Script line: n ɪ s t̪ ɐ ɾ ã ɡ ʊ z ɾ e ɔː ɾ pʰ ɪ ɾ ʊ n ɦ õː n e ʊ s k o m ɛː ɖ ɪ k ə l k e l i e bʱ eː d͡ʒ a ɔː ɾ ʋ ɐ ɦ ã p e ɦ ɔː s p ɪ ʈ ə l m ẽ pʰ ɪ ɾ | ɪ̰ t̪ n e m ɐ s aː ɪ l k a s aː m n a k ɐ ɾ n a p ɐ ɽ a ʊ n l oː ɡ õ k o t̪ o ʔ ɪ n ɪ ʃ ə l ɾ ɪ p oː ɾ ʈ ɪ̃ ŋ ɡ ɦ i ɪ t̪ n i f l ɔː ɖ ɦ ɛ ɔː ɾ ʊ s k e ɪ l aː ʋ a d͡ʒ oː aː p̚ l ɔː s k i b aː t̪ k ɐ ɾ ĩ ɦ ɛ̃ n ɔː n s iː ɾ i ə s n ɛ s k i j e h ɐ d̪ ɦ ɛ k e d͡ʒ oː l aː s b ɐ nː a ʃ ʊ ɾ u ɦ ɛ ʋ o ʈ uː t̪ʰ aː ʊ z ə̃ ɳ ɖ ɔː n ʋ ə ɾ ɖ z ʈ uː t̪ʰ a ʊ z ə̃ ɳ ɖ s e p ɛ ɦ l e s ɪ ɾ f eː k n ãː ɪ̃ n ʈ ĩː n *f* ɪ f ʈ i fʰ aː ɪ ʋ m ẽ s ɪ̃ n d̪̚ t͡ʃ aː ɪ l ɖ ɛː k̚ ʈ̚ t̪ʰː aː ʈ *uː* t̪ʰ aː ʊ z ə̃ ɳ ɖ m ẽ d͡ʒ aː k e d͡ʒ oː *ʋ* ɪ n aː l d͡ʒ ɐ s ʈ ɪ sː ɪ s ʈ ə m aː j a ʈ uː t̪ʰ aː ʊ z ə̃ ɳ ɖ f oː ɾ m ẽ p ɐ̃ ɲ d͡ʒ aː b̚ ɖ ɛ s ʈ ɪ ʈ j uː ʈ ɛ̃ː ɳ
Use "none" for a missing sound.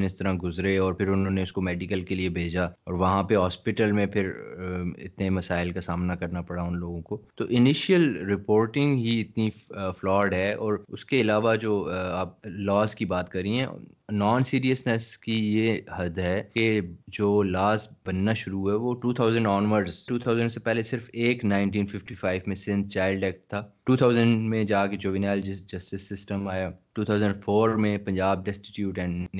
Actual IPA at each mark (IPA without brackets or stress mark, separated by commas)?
f, uː, ʋ